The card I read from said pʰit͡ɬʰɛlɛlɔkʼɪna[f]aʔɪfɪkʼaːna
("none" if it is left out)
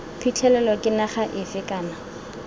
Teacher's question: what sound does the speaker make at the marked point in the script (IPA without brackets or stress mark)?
χ